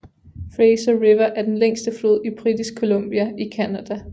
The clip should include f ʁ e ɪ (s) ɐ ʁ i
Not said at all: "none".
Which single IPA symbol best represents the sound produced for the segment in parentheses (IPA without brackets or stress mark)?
s